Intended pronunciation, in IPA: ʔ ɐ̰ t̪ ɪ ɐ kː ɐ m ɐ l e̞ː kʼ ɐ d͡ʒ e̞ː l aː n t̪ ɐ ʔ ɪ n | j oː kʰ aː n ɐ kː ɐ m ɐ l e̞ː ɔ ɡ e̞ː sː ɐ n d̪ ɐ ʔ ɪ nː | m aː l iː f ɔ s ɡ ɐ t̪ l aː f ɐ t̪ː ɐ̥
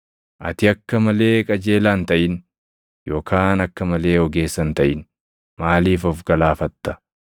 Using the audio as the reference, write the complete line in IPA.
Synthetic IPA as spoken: ʔ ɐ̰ t̪ ɪ ɐ kː ɐ m ɐ l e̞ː kʼ ɐ d͡ʒ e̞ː l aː n t̪ ɐ ʔ ɪ n | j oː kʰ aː n ɐ kː ɐ m ɐ l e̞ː ɔ ɡ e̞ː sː ɐ n t̪ ɐ ʔ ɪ n | m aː l iː f ɔ f ɡ ɐ l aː f ɐ t̪ː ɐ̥